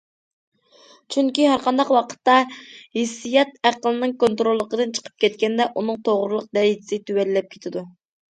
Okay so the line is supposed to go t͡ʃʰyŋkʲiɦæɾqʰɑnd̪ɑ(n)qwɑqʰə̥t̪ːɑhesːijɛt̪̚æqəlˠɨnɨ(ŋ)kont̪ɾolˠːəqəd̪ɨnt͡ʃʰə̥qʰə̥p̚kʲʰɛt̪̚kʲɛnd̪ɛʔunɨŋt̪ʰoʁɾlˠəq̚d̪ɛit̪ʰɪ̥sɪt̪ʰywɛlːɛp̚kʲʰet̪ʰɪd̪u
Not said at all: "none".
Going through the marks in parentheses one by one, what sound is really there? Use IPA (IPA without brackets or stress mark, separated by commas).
none, ŋ